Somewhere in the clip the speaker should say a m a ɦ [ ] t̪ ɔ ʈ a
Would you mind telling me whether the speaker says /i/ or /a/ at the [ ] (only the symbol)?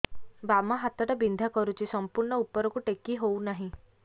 a